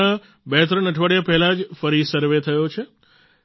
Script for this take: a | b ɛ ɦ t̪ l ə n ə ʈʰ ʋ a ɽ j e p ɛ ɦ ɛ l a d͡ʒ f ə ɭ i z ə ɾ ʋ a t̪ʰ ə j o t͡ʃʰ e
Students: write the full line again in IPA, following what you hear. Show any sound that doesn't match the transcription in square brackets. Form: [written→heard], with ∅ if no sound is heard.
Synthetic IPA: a | b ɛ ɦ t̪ [l→ɾ] ə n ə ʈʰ ʋ a ɽ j [e→a] p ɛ ɦ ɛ l a d͡ʒ f ə [ɭ→ɾ] i [z→s] ə ɾ ʋ [a→e] t̪ʰ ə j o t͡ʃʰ e